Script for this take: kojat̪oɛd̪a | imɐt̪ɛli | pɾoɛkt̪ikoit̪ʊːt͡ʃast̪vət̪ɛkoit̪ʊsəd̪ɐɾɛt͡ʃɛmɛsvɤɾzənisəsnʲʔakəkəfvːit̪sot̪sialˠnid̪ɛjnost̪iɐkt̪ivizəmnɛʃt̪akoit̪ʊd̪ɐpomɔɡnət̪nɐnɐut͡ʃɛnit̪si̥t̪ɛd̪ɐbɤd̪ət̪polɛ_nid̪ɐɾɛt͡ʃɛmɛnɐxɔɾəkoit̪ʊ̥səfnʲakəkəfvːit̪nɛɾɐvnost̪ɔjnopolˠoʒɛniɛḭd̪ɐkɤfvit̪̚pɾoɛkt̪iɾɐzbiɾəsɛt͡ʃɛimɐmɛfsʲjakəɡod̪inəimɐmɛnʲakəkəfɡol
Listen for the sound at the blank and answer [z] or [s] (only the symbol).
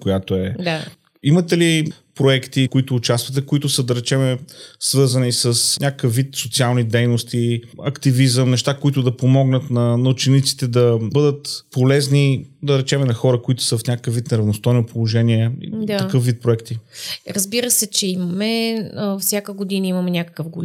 z